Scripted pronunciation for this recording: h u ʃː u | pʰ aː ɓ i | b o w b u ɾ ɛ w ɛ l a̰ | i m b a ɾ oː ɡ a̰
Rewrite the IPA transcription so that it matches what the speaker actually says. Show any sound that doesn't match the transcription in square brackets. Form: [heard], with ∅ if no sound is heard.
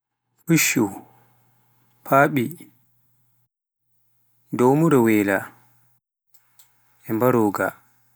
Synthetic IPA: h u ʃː u | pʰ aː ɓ i | [d] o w [m] u ɾ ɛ w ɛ l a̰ | [ɛ] m b a ɾ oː ɡ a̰